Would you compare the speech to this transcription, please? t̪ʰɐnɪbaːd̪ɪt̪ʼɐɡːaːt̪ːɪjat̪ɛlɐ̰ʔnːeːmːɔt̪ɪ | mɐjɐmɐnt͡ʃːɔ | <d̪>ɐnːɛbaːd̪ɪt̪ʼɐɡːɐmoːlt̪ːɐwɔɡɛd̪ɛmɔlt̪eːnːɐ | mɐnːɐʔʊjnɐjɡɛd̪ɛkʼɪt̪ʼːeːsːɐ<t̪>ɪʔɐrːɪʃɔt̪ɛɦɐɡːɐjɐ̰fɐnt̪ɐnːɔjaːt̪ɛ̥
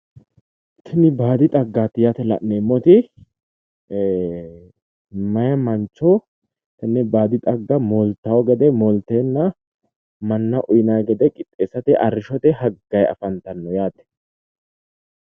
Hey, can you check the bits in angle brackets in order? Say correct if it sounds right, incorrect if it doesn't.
incorrect: t̪, correct

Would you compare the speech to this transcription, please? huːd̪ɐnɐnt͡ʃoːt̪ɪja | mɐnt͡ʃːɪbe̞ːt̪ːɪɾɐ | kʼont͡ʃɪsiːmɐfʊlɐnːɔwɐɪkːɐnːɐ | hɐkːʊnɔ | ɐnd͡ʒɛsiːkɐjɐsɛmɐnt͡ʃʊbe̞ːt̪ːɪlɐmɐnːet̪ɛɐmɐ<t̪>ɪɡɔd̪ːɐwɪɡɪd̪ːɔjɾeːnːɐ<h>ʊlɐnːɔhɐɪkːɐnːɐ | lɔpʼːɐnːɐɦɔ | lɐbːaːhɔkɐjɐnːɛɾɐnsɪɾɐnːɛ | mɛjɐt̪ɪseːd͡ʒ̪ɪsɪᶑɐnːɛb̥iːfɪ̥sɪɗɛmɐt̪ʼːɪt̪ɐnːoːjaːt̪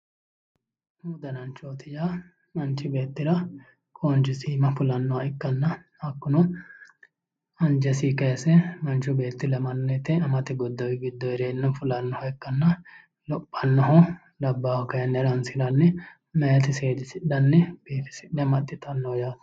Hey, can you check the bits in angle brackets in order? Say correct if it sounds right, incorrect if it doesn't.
correct, incorrect: f

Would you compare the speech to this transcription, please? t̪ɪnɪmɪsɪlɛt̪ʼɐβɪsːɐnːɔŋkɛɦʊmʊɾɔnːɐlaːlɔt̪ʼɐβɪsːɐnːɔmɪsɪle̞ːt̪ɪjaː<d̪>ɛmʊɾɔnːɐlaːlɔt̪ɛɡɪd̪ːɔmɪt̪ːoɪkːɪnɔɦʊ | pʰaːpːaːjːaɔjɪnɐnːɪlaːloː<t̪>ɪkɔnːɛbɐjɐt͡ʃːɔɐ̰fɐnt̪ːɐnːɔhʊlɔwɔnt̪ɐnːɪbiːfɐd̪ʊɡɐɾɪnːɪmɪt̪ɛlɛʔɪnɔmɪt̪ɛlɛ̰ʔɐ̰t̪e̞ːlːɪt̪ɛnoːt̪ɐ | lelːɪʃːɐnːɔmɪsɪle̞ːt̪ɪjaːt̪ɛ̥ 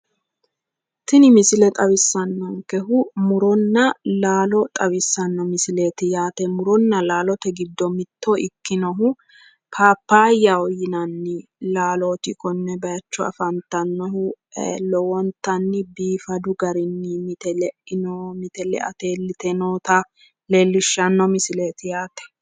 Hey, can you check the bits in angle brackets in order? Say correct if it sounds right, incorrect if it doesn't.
incorrect: t̪, correct

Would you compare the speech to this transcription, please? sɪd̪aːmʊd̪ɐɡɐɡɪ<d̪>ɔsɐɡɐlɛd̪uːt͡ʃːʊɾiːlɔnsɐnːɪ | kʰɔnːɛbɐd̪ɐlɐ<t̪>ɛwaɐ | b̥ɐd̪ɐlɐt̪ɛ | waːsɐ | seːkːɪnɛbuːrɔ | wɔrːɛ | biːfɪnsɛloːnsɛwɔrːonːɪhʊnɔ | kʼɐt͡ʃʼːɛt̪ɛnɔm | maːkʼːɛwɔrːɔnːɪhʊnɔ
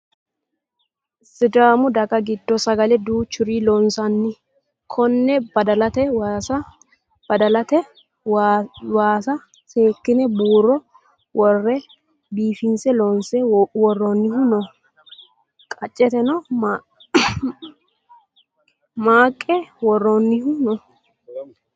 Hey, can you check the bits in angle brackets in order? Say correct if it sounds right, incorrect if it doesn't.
incorrect: d̪ː, correct

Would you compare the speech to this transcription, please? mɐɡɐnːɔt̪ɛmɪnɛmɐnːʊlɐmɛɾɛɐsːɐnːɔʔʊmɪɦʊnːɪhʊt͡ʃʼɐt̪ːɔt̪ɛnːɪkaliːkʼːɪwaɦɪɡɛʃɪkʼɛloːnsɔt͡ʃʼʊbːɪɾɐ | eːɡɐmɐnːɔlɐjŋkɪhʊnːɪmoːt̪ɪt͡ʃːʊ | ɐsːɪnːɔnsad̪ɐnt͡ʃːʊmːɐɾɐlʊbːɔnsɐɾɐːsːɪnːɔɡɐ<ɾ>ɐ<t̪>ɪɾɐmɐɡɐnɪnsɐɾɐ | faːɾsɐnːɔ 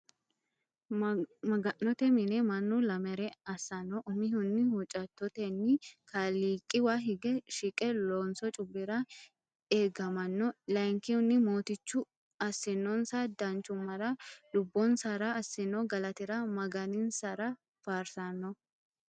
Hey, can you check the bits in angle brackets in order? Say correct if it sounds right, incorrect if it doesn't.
incorrect: l, correct

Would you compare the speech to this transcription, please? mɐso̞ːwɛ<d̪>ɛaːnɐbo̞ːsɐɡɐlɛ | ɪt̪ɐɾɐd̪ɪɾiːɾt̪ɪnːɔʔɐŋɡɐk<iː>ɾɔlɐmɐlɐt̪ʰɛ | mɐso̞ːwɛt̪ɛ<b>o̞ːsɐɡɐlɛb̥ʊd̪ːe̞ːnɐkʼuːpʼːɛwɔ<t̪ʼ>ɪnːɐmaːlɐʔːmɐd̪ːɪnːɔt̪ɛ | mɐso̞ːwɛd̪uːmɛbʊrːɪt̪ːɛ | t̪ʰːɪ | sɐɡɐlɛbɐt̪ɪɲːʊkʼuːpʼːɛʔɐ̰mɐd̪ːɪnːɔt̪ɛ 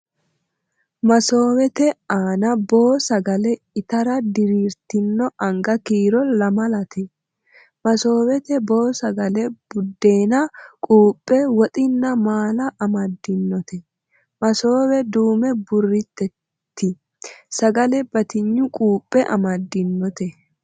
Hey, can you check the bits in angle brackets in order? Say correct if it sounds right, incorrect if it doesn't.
incorrect: t̪, correct, correct, correct

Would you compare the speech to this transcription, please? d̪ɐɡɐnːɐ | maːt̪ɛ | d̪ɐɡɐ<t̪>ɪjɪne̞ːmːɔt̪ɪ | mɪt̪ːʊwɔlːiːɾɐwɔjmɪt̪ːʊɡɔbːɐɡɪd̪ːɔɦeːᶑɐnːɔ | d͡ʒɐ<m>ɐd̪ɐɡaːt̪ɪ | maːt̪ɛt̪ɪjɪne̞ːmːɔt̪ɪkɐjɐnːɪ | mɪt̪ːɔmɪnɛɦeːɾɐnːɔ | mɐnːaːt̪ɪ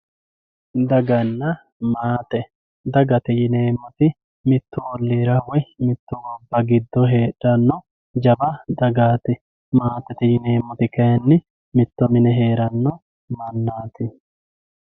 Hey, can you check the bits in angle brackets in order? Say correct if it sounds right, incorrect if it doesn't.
correct, incorrect: b

